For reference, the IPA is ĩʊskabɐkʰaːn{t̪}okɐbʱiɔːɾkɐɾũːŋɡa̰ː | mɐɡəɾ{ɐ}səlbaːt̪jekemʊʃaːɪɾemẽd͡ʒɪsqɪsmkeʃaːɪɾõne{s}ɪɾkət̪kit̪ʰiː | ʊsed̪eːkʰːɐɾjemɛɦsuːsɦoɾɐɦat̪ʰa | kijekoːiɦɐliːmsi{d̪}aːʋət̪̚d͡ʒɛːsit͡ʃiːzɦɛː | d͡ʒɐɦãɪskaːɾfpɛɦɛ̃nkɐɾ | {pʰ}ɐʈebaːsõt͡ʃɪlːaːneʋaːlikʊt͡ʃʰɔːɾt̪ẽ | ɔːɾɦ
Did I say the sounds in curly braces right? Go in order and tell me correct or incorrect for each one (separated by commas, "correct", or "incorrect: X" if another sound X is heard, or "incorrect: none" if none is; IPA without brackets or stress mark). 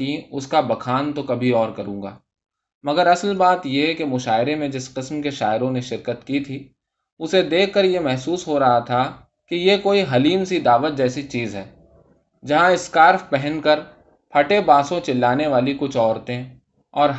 correct, correct, incorrect: ʃ, correct, correct